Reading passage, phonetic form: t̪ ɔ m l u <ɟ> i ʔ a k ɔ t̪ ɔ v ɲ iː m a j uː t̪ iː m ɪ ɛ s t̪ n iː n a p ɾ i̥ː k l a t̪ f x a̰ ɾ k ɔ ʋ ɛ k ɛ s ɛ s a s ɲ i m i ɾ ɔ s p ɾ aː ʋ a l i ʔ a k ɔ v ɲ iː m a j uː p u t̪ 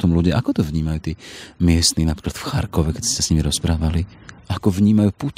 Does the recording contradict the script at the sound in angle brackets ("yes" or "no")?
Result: no